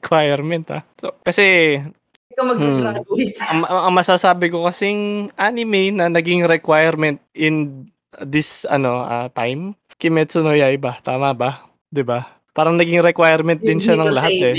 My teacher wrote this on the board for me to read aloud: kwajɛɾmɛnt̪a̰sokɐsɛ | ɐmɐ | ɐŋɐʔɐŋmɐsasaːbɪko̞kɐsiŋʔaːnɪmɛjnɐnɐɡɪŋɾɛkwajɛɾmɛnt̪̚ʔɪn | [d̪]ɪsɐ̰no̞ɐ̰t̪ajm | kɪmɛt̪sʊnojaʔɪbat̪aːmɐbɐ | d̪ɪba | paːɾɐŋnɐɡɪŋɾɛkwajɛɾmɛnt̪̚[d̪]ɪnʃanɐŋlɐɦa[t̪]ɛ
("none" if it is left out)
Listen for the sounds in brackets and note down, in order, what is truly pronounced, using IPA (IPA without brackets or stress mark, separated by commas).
d̪, d̪, t̪